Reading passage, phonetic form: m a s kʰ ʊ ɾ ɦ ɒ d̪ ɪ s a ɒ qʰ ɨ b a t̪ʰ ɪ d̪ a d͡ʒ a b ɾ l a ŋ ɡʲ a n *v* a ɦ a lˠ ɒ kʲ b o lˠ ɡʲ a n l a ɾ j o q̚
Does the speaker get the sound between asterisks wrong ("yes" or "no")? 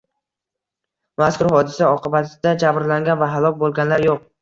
no